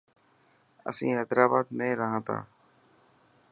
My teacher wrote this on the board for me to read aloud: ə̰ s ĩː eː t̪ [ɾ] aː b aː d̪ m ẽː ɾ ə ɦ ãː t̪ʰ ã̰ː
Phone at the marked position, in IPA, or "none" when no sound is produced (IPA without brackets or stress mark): ɾ